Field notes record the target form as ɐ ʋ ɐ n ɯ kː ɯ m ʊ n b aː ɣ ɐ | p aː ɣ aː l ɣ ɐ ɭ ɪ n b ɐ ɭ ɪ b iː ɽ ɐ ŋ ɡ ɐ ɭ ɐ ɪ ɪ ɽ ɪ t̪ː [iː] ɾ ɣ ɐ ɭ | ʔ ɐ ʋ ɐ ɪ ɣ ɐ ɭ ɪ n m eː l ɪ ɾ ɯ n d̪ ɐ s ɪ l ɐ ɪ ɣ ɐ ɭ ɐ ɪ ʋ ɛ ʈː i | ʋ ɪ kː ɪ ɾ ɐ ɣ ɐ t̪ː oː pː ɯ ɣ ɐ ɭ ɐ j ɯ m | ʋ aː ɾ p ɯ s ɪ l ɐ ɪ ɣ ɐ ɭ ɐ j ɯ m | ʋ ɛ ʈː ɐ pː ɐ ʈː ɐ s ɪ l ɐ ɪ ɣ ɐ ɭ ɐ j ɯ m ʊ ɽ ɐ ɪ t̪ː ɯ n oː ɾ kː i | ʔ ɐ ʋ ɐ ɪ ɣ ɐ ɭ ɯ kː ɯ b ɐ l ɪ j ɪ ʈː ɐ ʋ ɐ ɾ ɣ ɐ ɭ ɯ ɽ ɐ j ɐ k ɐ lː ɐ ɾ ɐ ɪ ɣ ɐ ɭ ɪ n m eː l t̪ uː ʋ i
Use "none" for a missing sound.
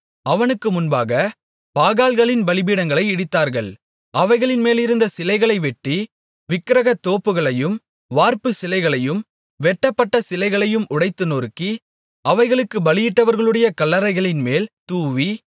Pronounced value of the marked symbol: aː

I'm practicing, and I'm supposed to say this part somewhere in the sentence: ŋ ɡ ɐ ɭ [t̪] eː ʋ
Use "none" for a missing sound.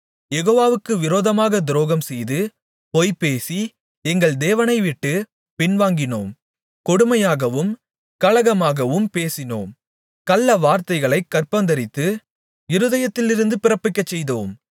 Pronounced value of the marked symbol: d̪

